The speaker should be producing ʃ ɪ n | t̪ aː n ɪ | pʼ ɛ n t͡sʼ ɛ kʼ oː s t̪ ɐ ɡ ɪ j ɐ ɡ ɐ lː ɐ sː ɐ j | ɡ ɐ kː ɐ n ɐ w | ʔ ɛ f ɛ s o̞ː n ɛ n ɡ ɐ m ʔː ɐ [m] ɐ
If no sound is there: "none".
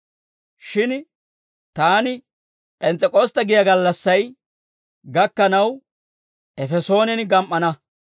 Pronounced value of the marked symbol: n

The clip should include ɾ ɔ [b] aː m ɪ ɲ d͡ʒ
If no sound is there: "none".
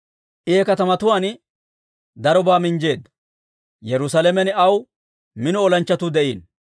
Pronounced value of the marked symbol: b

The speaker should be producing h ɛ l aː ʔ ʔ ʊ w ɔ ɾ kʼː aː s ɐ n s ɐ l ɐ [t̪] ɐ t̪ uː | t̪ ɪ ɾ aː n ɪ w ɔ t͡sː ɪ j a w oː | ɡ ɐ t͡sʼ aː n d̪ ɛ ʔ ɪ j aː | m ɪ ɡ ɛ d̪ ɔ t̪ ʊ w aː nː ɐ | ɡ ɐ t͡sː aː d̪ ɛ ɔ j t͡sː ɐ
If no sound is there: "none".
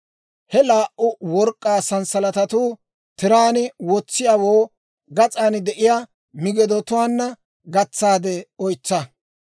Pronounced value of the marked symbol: t̪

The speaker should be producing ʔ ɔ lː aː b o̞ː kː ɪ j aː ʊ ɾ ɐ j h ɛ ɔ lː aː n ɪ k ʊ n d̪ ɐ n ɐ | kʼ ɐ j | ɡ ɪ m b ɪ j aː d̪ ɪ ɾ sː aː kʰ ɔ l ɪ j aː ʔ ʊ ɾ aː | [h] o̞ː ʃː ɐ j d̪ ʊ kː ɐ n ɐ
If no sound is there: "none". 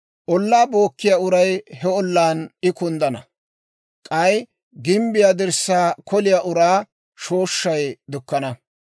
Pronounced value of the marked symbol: ʃ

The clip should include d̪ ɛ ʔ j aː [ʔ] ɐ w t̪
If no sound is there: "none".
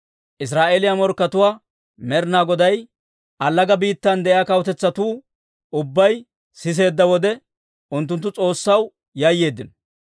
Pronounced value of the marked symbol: k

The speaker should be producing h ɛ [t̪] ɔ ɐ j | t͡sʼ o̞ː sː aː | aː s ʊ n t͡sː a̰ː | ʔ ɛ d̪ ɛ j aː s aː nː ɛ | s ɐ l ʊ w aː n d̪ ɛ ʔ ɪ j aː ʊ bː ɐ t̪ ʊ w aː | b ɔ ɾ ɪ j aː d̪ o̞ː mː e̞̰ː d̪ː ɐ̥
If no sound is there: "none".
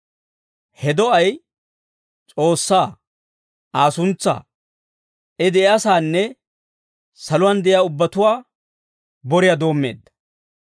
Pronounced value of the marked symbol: d̪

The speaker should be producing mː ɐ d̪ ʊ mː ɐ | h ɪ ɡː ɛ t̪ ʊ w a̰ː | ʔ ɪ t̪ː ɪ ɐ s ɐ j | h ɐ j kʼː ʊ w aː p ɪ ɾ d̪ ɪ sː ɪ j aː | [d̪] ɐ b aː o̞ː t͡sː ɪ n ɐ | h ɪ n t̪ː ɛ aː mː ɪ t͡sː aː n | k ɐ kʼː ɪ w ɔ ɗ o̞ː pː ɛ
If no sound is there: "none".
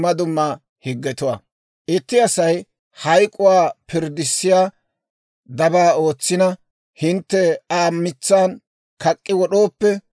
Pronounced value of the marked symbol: d̪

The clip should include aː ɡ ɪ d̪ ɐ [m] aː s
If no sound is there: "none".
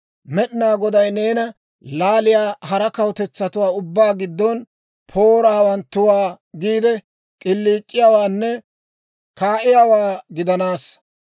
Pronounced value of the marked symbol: n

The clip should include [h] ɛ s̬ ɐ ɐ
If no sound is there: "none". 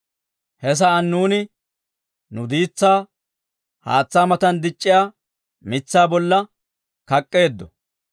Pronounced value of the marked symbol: h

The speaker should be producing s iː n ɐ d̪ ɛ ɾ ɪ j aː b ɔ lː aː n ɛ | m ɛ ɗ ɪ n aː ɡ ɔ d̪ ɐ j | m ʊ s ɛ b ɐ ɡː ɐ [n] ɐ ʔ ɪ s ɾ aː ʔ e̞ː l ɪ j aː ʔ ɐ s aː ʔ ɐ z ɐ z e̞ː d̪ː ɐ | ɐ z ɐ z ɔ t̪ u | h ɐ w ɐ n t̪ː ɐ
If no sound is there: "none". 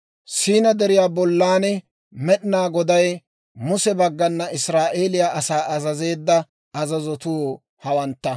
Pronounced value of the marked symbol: nː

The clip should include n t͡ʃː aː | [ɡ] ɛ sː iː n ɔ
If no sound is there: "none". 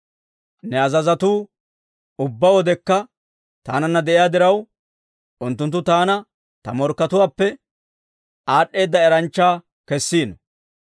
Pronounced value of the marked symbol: k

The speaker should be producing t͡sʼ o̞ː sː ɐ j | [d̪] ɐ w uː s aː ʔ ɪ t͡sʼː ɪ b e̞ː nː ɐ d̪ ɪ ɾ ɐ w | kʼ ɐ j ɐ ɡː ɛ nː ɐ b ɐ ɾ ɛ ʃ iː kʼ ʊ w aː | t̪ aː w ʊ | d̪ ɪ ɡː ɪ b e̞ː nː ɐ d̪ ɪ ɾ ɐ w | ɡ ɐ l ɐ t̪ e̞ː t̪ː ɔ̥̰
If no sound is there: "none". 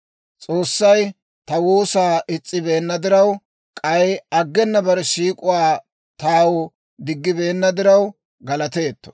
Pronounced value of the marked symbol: t̪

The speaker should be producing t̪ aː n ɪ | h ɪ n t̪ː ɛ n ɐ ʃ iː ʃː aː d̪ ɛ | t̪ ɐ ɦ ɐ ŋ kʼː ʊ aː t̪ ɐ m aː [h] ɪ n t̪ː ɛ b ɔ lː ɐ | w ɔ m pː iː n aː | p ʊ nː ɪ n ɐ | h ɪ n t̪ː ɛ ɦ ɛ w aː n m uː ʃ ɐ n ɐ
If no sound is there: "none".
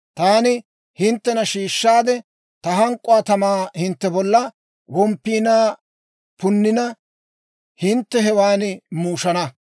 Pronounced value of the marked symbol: h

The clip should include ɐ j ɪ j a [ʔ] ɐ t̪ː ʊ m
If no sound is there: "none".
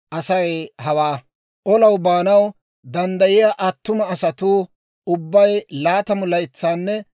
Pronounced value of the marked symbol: ʔ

